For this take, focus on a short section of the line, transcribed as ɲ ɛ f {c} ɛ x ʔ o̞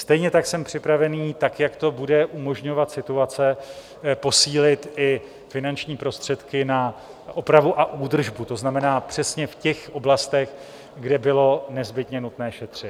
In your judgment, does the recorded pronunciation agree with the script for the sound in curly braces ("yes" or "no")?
yes